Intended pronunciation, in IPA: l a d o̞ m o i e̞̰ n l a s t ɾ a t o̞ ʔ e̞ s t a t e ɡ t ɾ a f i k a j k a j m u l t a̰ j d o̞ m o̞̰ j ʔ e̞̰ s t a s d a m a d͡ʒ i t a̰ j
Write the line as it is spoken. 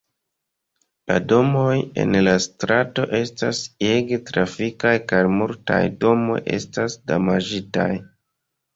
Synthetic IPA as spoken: l a d o̞ m o j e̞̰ n l a s t ɾ a t o̞ ʔ e̞ s t a s e ɡ t ɾ a f i k a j k a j m u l t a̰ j d o̞ m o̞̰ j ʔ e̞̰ s t a s d a m a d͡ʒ i t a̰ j